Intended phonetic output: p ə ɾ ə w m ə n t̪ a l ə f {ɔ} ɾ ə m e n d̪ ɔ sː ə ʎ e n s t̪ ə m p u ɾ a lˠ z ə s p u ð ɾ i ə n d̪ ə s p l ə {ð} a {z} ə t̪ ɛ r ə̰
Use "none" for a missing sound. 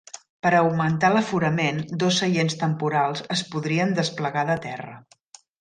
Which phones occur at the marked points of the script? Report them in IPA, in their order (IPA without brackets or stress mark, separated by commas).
u, ɣ, ð